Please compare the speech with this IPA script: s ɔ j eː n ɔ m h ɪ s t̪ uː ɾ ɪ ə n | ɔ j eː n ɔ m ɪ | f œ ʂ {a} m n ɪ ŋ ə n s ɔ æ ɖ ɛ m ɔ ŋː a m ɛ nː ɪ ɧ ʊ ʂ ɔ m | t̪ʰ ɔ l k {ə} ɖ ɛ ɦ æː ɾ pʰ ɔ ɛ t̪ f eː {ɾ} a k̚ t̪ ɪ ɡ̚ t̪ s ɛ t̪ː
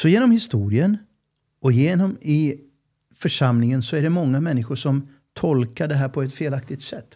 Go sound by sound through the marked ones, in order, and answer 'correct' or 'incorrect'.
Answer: correct, incorrect: a, incorrect: l

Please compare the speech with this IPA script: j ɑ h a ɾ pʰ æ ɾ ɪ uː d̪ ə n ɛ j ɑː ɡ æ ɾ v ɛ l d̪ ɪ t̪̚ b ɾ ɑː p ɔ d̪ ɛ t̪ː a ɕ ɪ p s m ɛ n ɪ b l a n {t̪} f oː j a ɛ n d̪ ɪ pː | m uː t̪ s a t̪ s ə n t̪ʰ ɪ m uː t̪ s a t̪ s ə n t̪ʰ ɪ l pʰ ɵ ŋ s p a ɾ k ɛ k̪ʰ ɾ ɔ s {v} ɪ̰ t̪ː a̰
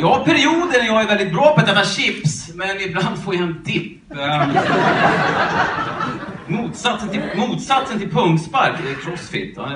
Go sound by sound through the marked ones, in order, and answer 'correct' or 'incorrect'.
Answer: incorrect: d̪, incorrect: f

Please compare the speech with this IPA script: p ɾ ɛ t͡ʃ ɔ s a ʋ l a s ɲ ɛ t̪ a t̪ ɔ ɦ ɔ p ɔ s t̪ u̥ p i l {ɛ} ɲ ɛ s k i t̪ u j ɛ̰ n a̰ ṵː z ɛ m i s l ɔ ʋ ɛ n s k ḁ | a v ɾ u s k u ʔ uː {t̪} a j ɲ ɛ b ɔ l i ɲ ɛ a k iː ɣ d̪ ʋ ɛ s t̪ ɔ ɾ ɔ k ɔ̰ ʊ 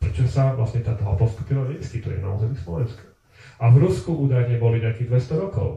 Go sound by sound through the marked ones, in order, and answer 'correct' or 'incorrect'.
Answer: incorrect: a, incorrect: d̪

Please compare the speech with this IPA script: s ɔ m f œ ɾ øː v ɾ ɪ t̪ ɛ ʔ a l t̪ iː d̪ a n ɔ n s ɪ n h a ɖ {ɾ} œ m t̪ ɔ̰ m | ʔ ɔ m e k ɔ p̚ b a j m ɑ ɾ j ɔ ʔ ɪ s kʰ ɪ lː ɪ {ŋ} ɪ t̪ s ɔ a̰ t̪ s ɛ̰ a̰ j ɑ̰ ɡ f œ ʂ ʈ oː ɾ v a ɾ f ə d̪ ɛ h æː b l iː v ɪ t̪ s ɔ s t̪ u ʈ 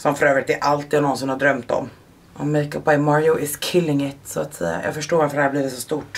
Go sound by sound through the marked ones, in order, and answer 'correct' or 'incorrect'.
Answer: correct, correct

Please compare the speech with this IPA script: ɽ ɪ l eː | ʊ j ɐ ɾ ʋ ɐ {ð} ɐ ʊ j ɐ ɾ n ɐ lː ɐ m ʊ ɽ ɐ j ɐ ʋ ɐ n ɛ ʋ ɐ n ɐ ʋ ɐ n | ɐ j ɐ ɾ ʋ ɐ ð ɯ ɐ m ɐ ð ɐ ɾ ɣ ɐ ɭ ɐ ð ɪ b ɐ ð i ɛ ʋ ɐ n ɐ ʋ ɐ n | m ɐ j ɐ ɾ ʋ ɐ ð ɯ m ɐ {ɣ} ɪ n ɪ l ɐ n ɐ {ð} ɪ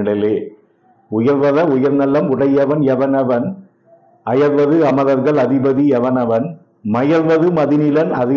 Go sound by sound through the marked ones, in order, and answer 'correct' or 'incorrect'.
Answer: correct, incorrect: ð, correct

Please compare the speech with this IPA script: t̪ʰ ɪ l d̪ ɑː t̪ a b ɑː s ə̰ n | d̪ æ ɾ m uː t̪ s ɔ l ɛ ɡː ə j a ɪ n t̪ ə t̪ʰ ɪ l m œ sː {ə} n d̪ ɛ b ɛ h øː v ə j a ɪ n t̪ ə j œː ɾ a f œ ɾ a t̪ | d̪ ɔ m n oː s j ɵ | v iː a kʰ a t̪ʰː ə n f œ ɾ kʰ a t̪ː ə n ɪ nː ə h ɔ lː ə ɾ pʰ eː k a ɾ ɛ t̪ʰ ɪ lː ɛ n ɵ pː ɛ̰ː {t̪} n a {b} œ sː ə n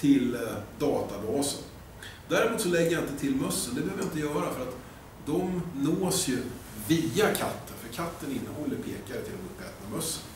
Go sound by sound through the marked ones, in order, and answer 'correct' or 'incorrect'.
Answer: correct, correct, incorrect: m

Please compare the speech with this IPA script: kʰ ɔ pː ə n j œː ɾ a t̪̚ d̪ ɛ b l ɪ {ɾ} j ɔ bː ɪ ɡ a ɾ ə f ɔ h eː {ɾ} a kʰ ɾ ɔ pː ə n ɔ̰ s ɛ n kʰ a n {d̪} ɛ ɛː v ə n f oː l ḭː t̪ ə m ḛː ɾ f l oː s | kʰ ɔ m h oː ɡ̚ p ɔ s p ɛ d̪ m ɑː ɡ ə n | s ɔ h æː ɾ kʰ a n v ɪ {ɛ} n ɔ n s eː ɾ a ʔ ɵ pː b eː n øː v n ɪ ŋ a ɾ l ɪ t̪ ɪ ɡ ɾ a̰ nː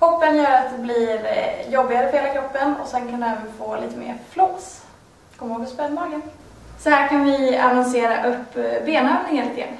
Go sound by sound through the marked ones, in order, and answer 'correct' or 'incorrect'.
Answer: correct, incorrect: l, correct, incorrect: a

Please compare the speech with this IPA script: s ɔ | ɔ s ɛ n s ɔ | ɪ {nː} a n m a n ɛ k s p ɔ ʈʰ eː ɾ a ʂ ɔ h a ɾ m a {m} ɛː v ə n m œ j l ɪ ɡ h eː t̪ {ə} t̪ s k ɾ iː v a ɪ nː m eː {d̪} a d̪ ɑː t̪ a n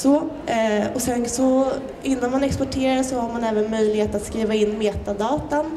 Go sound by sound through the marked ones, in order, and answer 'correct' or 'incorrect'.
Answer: correct, incorrect: n, incorrect: a, incorrect: t̪

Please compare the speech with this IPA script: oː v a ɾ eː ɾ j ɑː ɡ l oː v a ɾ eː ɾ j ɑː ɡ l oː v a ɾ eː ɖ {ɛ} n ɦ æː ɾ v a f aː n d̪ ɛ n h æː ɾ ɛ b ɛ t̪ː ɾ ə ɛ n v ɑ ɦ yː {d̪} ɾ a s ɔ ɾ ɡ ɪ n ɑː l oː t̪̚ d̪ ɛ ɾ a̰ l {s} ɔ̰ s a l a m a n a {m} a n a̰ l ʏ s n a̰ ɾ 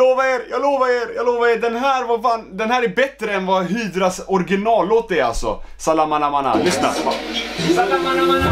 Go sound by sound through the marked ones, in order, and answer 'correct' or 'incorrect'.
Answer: correct, correct, correct, correct

